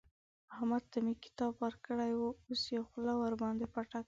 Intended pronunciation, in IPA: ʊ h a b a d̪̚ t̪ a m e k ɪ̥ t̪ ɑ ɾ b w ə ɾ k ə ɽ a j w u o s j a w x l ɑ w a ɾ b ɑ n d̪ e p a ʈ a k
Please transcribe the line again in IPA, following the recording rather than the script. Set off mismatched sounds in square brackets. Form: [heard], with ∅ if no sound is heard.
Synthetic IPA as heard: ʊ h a [m] a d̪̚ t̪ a m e k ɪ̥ t̪ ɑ [∅] b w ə ɾ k ə ɽ a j w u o s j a w x l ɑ w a ɾ b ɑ n d̪ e p a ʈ a k